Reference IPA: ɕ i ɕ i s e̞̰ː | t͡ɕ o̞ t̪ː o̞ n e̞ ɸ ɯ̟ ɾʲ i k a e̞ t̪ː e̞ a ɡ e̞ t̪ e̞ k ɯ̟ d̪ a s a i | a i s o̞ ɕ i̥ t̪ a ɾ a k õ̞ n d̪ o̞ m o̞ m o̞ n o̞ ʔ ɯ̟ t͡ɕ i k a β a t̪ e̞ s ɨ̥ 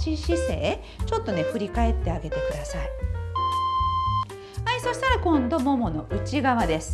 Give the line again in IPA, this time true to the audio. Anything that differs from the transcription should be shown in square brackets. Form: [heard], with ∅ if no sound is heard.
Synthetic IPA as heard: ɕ i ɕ i s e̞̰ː | t͡ɕ o̞ t̪ː o̞ n e̞ ɸ ɯ̟ ɾʲ i k a e̞ t̪ː e̞ a ɡ e̞ t̪ e̞ k ɯ̟ d̪ a s a i | a i s o̞ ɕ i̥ t̪ a ɾ a k õ̞ n d̪ o̞ m o̞ m o̞ n o̞ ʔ ɯ̟ t͡ɕ i [ɡ] a β a [d̪] e̞ s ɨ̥